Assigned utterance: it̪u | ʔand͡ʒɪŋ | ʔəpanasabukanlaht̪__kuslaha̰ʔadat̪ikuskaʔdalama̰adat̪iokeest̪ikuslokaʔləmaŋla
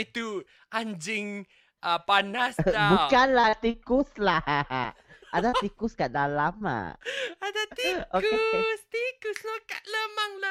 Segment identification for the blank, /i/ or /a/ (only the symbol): i